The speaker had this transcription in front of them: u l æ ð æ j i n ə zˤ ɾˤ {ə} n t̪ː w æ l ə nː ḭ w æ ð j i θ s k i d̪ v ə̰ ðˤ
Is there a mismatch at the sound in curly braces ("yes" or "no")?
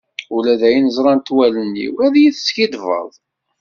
yes